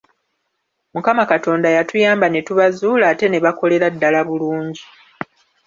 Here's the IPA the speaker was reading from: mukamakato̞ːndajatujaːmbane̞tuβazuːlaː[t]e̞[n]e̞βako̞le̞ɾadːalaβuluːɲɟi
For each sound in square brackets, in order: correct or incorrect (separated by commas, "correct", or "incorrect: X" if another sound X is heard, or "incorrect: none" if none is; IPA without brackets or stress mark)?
correct, correct